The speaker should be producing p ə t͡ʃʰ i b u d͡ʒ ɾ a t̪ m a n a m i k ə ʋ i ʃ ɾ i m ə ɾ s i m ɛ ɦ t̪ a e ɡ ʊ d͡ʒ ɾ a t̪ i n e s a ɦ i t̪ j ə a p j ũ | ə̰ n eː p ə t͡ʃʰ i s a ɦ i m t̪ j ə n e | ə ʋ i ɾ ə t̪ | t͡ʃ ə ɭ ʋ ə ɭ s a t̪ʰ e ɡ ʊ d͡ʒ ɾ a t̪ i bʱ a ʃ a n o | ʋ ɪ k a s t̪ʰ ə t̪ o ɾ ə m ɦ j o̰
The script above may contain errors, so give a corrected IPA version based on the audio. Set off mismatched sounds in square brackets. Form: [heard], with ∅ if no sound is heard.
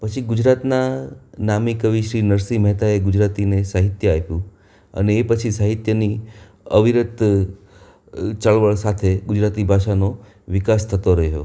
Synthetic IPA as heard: p ə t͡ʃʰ i [ɡ] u d͡ʒ ɾ a t̪ [n] a n a m i k ə ʋ i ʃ ɾ i [n] ə ɾ s i m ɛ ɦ t̪ a e ɡ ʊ d͡ʒ ɾ a t̪ i n e s a ɦ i t̪ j ə a p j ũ | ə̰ n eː p ə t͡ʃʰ i s a ɦ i [∅] t̪ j ə n [i] | ə ʋ i ɾ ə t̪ | t͡ʃ ə ɭ ʋ ə ɭ s a t̪ʰ e ɡ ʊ d͡ʒ ɾ a t̪ i bʱ a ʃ a n o | ʋ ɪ k a s t̪ʰ ə t̪ o ɾ ə [∅] ɦ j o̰

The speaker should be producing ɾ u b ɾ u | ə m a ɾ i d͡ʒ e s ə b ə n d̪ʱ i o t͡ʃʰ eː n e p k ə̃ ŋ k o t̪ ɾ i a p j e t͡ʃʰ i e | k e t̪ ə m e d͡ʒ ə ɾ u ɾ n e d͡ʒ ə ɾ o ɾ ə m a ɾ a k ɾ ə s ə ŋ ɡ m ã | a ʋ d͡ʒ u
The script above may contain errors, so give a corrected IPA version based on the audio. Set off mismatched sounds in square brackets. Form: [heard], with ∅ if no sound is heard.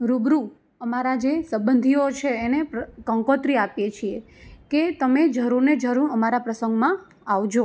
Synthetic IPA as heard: ɾ u b ɾ u | ə m a ɾ [a] d͡ʒ e s ə b ə n d̪ʱ i o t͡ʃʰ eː n e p k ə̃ ŋ k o t̪ ɾ i a p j e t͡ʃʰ i e | k e t̪ ə m e d͡ʒ ə ɾ u ɾ n e d͡ʒ ə ɾ [u] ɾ ə m a ɾ a [p] ɾ ə s ə ŋ ɡ m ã | a ʋ d͡ʒ [o]

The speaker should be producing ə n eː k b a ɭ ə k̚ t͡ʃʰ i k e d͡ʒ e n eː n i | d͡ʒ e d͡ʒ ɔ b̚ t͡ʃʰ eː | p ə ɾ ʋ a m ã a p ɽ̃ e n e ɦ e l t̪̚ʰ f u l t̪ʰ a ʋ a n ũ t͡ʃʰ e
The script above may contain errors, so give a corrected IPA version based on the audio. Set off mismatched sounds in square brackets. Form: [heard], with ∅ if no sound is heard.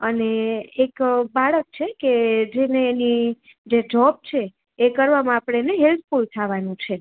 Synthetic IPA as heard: ə n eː k b a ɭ ə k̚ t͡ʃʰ [e] k e d͡ʒ e n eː n i | d͡ʒ e d͡ʒ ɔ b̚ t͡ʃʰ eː | [k] ə ɾ ʋ a m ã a p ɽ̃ e n e ɦ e l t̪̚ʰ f u l t̪ʰ a ʋ a n ũ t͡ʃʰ e

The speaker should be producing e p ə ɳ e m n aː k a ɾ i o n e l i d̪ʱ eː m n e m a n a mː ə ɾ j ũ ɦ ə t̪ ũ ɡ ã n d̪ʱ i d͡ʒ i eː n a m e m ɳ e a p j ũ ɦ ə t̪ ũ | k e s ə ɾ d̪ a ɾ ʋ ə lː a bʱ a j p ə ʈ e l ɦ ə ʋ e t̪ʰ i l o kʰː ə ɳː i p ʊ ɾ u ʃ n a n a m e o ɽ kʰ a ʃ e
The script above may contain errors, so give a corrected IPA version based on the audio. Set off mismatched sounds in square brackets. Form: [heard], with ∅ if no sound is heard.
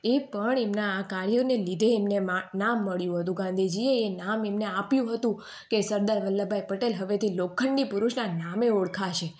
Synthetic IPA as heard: e p ə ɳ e m n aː k a ɾ [j] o n e l i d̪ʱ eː m n e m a n a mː ə [ɭ] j ũ ɦ ə t̪ ũ ɡ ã n d̪ʱ i d͡ʒ i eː n a m e m [n] e a p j ũ ɦ ə t̪ ũ | k e s ə ɾ d̪ a ɾ ʋ ə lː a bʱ a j p ə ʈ e l ɦ ə ʋ e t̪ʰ i l o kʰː ə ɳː i p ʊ ɾ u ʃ n a n a m e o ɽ kʰ a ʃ e

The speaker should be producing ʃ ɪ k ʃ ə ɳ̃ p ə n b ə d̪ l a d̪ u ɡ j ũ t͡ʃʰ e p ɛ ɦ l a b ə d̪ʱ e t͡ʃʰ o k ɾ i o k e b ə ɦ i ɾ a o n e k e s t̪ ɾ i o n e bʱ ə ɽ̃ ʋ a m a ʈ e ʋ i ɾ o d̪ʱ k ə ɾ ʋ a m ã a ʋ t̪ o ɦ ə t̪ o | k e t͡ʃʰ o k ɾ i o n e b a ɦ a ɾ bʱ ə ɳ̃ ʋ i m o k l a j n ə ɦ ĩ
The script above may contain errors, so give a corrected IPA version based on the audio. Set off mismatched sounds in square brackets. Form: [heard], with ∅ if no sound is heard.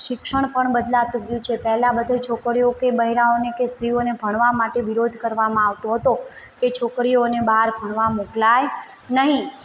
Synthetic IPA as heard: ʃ ɪ k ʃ ə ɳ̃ p ə [ɳ] b ə d̪ l a [t̪] u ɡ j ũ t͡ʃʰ e p ɛ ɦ l a b ə d̪ʱ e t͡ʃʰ o k ɾ i o k e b ə ɦ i ɾ a o n e k e s t̪ ɾ i o n e bʱ ə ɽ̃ ʋ a m a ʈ e ʋ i ɾ o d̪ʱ k ə ɾ ʋ a m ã a ʋ t̪ o ɦ ə t̪ o | k e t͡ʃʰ o k ɾ i o n e b a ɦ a ɾ bʱ ə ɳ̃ ʋ [a] m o k l a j n ə ɦ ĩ

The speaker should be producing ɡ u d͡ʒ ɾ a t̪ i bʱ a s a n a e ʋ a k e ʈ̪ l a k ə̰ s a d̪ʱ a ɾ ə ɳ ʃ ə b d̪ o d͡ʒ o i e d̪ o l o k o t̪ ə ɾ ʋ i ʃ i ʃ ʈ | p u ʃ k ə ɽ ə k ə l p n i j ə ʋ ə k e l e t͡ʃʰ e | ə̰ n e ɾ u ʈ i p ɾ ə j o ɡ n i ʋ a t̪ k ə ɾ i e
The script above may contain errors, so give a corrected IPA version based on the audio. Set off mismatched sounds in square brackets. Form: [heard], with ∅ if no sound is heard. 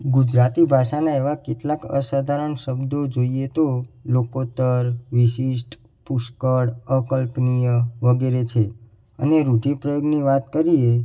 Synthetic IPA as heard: ɡ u d͡ʒ ɾ a t̪ i bʱ a [ʃ] a n a e ʋ a k e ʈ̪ l a k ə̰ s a d̪ʱ a ɾ ə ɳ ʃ ə b d̪ o d͡ʒ o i e [t̪] o l o k o t̪ ə ɾ ʋ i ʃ i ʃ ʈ | p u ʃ k ə ɽ ə k ə l p n i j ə ʋ ə [ɡ] e [ɾ] e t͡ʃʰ e | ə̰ n e ɾ u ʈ i p ɾ ə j o ɡ n i ʋ a t̪ k ə ɾ i e

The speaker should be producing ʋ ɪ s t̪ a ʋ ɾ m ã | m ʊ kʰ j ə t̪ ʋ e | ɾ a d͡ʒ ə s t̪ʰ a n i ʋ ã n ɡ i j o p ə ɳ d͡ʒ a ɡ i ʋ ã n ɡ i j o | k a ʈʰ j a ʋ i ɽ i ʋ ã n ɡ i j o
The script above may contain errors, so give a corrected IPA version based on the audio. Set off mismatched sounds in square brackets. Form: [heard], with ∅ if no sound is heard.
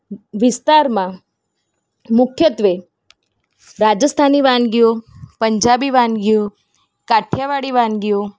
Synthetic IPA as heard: ʋ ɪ s t̪ a [∅] ɾ m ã | m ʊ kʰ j ə t̪ ʋ e | ɾ a d͡ʒ ə s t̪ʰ a n i ʋ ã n ɡ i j o p ə [ɲ] d͡ʒ a [b] i ʋ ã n ɡ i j o | k a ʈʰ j a ʋ [a] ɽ i ʋ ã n ɡ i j o

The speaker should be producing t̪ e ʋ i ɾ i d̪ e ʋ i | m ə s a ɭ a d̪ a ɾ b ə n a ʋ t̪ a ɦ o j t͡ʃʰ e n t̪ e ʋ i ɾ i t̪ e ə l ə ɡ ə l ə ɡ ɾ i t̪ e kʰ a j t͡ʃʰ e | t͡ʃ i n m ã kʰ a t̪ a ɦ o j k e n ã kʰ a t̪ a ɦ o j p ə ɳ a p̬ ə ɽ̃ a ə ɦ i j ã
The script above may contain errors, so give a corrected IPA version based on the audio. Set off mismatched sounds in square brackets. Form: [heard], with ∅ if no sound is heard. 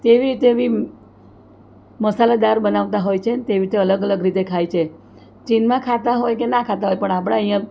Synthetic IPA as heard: t̪ e ʋ i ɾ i [t̪] e ʋ i | m ə s a [l] a d̪ a ɾ b ə n a ʋ t̪ a ɦ o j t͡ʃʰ e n t̪ e ʋ i ɾ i t̪ e ə l ə ɡ ə l ə ɡ ɾ i t̪ e kʰ a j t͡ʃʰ e | t͡ʃ i n m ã kʰ a t̪ a ɦ o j k e n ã kʰ a t̪ a ɦ o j p ə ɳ a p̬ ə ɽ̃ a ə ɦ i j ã

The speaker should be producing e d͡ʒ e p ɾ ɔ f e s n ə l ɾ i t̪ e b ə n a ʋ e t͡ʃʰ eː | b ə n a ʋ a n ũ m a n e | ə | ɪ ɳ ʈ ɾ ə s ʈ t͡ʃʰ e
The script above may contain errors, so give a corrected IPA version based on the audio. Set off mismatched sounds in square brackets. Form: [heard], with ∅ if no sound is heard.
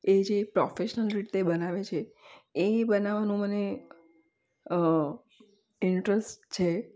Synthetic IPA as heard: e d͡ʒ e p ɾ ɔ f e [ʃ] n ə l ɾ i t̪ e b ə n a ʋ e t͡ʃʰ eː | b ə n a ʋ a n ũ m [ə] n e | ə | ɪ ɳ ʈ ɾ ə s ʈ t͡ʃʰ e

